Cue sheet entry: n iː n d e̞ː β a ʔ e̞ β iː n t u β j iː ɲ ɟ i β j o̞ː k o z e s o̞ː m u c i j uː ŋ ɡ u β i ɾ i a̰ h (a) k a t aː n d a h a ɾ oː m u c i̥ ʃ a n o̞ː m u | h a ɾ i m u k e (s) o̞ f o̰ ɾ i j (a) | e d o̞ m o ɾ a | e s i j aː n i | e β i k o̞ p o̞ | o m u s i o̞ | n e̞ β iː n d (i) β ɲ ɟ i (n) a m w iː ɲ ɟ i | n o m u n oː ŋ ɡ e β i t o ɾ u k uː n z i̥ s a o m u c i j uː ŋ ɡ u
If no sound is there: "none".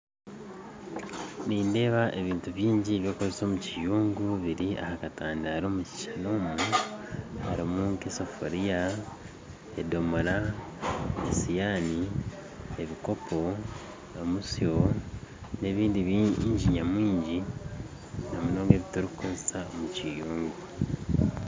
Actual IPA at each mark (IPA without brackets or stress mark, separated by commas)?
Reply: a, s, a, i, ɲ